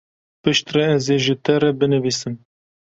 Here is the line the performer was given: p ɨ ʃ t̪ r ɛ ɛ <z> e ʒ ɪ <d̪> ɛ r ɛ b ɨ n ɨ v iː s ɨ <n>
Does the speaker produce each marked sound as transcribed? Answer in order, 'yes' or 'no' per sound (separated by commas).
yes, no, no